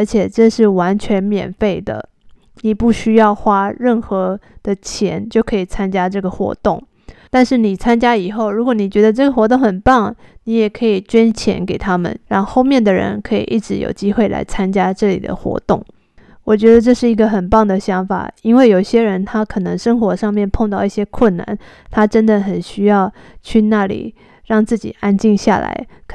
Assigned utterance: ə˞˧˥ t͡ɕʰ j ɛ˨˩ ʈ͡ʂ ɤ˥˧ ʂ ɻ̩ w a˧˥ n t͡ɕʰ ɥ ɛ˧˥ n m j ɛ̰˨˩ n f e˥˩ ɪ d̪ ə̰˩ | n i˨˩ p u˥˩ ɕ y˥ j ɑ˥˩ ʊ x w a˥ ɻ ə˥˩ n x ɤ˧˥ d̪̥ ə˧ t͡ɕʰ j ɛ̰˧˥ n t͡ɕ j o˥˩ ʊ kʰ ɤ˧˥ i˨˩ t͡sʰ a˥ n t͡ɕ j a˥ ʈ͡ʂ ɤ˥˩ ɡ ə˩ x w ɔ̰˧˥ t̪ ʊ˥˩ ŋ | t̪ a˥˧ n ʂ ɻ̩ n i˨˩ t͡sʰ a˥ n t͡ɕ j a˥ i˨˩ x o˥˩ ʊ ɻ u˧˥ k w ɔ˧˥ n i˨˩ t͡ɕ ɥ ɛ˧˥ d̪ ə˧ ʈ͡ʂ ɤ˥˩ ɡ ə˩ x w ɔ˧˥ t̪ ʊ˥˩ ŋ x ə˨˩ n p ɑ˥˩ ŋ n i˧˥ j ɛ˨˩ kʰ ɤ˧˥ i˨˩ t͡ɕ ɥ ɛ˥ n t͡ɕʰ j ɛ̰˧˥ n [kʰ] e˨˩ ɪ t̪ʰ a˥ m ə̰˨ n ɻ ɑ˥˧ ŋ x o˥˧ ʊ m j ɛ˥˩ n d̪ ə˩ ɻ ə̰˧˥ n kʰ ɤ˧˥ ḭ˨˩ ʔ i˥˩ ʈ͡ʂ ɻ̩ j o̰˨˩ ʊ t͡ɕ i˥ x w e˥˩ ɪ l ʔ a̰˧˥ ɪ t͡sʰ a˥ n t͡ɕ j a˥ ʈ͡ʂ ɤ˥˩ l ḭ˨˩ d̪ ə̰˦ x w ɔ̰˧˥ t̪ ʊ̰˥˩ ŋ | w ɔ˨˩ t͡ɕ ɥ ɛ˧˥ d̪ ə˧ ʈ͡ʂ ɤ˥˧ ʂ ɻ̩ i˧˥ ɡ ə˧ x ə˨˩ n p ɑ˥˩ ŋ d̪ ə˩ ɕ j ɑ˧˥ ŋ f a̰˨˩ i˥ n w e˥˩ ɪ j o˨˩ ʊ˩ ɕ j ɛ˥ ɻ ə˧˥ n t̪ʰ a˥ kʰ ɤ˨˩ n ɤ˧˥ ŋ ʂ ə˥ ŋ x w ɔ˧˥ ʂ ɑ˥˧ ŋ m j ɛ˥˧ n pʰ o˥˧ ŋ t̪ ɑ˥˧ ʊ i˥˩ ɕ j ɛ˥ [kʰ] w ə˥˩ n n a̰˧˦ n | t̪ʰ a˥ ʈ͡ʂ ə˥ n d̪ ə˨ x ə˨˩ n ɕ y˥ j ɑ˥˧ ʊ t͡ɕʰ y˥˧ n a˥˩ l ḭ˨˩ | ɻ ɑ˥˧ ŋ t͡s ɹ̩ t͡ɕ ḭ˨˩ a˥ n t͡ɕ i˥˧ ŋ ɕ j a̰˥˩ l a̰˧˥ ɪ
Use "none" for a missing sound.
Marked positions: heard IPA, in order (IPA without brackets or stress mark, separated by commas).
k, kʰ